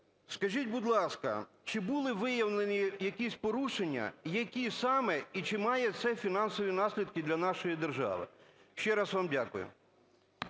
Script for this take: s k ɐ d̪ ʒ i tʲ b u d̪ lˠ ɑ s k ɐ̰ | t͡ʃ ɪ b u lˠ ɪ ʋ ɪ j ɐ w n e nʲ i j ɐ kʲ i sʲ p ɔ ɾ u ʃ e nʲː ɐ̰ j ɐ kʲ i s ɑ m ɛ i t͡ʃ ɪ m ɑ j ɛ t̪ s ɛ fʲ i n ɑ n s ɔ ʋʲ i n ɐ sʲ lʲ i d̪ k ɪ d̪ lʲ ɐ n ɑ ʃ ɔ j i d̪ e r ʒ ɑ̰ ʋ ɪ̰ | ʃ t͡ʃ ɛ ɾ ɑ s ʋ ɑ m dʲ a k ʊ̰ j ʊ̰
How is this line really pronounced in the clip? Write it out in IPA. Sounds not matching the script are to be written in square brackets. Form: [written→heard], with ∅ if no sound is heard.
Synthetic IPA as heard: s k ɐ [d̪→∅] ʒ i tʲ b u d̪ lˠ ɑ s k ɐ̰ | t͡ʃ ɪ b u lˠ ɪ ʋ ɪ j ɐ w n e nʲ i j ɐ kʲ i sʲ p ɔ ɾ u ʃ e nʲː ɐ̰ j ɐ kʲ i s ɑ m ɛ i t͡ʃ ɪ m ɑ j ɛ t̪ s ɛ fʲ i n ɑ n s ɔ ʋʲ i n [ɐ→ɑ] sʲ lʲ i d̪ k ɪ d̪ lʲ ɐ n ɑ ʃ ɔ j i d̪ e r ʒ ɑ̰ ʋ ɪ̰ | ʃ t͡ʃ ɛ ɾ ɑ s ʋ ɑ m dʲ a k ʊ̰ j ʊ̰

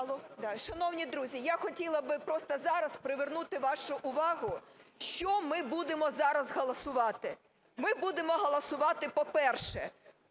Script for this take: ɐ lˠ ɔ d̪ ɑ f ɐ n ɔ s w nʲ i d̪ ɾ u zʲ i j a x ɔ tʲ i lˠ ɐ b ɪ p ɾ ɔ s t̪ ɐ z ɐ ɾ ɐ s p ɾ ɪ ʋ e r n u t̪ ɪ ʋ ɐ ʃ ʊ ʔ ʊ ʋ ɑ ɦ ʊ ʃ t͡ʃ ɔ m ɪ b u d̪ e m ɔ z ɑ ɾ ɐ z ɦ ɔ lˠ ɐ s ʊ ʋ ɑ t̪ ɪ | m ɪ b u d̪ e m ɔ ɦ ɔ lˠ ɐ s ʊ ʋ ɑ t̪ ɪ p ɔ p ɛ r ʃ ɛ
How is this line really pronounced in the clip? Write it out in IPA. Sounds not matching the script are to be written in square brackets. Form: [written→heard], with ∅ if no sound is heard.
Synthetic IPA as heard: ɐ lˠ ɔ d̪ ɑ [f→ʃ] ɐ n ɔ [s→∅] w nʲ i d̪ ɾ u zʲ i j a x ɔ tʲ i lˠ ɐ b ɪ p ɾ ɔ s t̪ ɐ z [ɐ→ɑ] ɾ ɐ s p ɾ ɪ ʋ e r n u t̪ ɪ ʋ [ɐ→ɑ] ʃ ʊ ʔ ʊ ʋ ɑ ɦ ʊ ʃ t͡ʃ ɔ m ɪ b u d̪ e m ɔ z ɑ ɾ ɐ z ɦ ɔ lˠ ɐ s ʊ ʋ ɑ t̪ ɪ | m ɪ b u d̪ e m ɔ ɦ ɔ lˠ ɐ s ʊ ʋ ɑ t̪ ɪ p ɔ p ɛ r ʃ ɛ

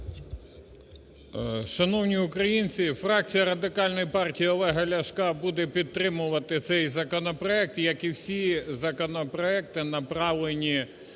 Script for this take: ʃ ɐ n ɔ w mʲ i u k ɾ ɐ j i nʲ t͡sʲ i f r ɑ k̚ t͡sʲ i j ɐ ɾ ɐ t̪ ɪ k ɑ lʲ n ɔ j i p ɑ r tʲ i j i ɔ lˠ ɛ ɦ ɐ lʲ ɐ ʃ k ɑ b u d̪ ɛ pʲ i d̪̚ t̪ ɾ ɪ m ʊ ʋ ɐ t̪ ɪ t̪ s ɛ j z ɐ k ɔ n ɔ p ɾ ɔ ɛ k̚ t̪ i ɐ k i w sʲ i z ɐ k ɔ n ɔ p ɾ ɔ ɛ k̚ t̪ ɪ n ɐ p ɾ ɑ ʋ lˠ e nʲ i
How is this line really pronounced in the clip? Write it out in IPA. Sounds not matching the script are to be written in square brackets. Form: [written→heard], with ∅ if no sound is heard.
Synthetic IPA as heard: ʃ ɐ n ɔ w [mʲ→nʲ] i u k ɾ ɐ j i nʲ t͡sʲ i f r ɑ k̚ t͡sʲ i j ɐ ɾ ɐ [t̪→d̪] ɪ k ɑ lʲ n ɔ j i p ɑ r tʲ i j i ɔ lˠ ɛ ɦ ɐ lʲ ɐ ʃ k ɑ b u d̪ ɛ pʲ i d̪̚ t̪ ɾ ɪ m ʊ ʋ ɐ t̪ ɪ t̪ s ɛ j z ɐ k ɔ n ɔ p ɾ ɔ ɛ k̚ t̪ [i→j] ɐ k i w sʲ i z ɐ k ɔ n ɔ p ɾ ɔ ɛ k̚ t̪ ɪ n ɐ p ɾ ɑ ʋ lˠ e nʲ i

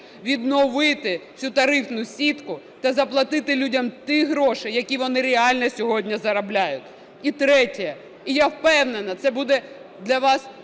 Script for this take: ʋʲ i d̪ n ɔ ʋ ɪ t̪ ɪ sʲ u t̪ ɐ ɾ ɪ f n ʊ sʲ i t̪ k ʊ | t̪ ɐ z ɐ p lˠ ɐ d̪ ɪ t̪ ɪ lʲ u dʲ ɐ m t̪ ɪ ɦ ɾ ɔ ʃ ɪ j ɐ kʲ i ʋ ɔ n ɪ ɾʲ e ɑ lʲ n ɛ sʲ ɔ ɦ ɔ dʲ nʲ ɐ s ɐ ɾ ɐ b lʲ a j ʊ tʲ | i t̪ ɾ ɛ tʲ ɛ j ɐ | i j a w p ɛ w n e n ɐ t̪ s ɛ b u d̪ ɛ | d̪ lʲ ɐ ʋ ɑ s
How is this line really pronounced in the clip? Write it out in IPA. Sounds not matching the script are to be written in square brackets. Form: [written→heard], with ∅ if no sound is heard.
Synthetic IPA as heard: ʋʲ i d̪ n ɔ ʋ ɪ t̪ ɪ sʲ u t̪ ɐ ɾ ɪ f n ʊ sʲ i t̪ k ʊ | t̪ ɐ z ɐ p lˠ ɐ [d̪→t̪] ɪ t̪ ɪ lʲ u dʲ ɐ m t̪ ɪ ɦ ɾ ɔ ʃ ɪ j ɐ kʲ i ʋ ɔ n ɪ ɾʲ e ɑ lʲ n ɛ sʲ ɔ ɦ ɔ dʲ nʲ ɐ [s→z] ɐ ɾ ɐ b lʲ a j ʊ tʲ | i t̪ ɾ ɛ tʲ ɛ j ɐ | i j a w p ɛ w n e n ɐ t̪ s ɛ b u d̪ ɛ | d̪ lʲ ɐ ʋ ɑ s

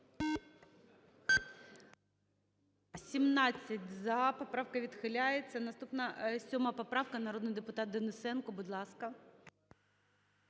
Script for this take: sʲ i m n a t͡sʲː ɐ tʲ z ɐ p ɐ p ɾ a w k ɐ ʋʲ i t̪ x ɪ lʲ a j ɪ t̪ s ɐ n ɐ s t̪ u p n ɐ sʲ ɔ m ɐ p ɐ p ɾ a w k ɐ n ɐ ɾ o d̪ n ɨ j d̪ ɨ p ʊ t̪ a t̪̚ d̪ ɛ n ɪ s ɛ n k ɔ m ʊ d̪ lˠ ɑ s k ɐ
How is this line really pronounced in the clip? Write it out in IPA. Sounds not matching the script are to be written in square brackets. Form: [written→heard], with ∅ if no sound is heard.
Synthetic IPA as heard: sʲ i m n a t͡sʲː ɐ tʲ z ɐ p ɐ p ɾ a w k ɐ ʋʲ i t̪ x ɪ lʲ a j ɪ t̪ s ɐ n ɐ s t̪ u p n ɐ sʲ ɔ m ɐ p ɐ p ɾ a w k ɐ n ɐ ɾ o d̪ n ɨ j d̪ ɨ p ʊ t̪ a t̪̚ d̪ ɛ n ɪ s ɛ n k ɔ [m→b] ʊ d̪ lˠ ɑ s k ɐ

